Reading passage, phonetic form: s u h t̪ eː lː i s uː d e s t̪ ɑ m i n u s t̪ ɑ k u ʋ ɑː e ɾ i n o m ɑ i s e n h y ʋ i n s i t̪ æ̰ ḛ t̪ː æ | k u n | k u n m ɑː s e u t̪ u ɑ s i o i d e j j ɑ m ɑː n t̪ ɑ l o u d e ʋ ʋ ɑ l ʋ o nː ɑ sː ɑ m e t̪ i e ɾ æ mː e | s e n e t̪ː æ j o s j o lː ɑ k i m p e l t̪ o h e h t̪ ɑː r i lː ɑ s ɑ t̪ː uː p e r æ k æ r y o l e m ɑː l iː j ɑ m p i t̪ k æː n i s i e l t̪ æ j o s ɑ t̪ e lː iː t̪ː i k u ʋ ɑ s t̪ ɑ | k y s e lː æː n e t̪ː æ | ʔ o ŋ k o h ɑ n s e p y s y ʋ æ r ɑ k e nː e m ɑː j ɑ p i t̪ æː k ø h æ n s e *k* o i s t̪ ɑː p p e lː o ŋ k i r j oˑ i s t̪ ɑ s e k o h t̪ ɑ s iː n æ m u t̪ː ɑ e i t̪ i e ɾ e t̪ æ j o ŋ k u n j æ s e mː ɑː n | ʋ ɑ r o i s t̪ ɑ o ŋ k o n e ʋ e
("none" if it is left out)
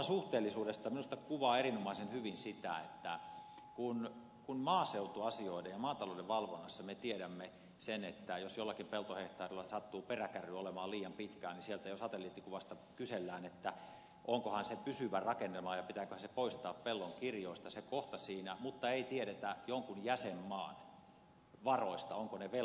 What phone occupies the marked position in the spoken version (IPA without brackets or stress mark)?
p